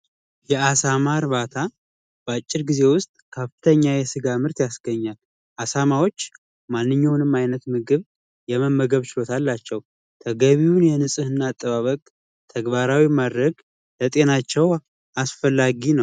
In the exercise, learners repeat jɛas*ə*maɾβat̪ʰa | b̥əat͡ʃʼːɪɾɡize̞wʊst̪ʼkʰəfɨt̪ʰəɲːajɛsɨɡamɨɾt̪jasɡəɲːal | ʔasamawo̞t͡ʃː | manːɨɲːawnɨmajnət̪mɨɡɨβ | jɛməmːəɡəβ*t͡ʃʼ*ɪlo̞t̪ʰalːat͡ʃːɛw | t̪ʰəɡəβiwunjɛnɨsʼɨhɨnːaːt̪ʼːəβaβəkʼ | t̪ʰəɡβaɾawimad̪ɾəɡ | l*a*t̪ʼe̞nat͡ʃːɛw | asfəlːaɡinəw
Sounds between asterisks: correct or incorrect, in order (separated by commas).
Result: incorrect, incorrect, incorrect